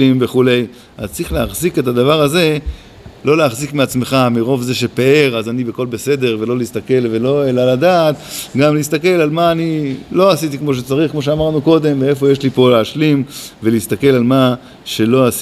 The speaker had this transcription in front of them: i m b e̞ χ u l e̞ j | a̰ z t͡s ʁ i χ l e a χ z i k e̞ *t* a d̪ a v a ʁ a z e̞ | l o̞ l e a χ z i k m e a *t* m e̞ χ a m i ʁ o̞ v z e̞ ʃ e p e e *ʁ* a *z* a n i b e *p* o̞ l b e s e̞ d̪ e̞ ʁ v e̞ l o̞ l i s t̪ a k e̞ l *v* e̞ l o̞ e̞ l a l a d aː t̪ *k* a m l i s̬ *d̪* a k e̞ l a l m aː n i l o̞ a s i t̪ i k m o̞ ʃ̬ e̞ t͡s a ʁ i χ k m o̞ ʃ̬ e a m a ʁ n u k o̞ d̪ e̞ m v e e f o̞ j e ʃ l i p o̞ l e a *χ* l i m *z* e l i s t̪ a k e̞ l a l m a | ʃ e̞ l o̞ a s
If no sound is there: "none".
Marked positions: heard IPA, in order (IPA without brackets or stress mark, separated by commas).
t, t͡s, ʁ, z, k, v, ɡ, t̪, ʃ, v